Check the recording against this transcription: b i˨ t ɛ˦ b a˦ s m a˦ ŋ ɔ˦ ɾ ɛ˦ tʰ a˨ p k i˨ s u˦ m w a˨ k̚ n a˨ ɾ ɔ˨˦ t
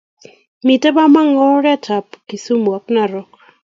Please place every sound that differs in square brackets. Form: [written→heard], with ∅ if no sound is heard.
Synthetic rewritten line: [b→m] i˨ t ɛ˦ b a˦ [s→∅] m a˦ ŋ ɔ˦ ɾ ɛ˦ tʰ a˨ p k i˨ s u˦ m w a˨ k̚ n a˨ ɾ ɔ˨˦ [t→k]